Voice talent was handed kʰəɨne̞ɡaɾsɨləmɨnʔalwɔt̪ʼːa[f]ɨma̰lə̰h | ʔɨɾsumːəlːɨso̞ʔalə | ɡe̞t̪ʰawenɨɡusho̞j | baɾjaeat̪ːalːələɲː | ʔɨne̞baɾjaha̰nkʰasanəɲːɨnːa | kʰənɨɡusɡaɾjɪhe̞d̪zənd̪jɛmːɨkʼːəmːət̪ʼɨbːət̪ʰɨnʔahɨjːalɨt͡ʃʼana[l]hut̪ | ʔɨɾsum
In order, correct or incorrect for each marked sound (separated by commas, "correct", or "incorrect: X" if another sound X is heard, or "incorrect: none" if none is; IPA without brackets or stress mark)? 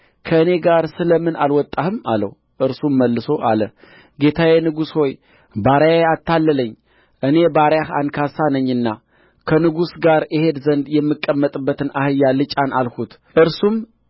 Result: incorrect: h, correct